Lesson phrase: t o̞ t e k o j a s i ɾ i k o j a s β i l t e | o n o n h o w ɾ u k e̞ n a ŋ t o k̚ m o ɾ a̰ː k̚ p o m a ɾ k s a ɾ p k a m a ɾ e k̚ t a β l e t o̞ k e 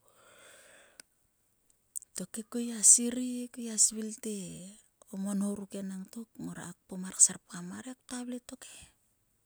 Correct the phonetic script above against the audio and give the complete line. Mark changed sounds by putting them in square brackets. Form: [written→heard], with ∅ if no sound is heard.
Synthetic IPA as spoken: t o̞ [t→k] e k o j a s i ɾ i k o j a s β i l t e | o [n→m] o n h o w ɾ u k e̞ n a ŋ t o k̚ m o ɾ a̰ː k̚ p o m a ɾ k s a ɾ p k a m a ɾ e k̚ t a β l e t o̞ k e